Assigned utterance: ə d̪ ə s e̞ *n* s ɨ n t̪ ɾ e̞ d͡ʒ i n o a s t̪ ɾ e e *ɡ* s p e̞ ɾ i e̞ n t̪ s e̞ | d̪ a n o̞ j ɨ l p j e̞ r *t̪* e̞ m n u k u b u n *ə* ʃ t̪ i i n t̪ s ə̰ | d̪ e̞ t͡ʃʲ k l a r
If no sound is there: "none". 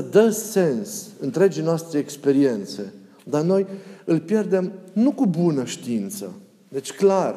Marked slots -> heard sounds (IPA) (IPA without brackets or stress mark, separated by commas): n, k, d̪, ə